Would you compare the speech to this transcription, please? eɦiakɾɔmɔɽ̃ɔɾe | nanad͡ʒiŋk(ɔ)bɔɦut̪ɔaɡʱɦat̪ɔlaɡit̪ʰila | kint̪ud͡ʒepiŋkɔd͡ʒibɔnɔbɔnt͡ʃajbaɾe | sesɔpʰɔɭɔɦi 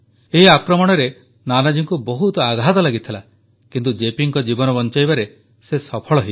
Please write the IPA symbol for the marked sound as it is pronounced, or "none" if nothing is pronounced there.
u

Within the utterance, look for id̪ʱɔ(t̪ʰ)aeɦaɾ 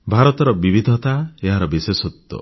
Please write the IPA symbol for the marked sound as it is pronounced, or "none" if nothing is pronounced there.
t̪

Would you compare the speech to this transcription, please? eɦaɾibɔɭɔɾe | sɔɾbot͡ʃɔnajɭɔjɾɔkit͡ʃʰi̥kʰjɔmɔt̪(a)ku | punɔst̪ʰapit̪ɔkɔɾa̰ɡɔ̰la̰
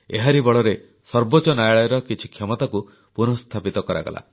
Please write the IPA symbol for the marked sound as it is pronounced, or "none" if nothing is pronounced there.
a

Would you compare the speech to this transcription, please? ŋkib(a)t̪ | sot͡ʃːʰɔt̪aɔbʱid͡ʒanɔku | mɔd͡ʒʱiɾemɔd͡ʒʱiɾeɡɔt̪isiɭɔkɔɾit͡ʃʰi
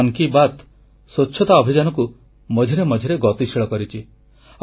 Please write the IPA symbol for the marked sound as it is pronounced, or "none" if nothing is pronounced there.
a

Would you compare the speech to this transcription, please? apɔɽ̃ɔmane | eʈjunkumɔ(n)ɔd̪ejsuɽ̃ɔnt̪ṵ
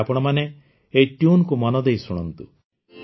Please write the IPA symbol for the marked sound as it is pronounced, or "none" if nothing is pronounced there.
n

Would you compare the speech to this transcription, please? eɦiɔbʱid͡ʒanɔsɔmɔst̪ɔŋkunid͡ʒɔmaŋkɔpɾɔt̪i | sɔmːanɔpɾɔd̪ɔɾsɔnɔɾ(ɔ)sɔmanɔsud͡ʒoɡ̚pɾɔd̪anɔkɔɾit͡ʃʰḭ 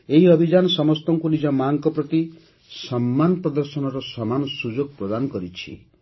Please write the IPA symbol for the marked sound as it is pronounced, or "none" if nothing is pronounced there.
ɔ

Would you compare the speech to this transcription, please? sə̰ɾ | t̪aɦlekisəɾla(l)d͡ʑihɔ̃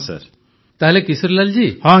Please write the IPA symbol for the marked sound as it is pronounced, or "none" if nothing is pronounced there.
l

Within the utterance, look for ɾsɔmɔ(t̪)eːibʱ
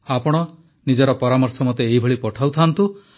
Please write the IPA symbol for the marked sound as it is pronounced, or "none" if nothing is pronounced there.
t̪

